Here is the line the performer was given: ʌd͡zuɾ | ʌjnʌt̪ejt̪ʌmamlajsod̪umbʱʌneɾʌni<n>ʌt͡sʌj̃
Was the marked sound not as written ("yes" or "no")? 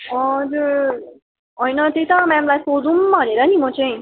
yes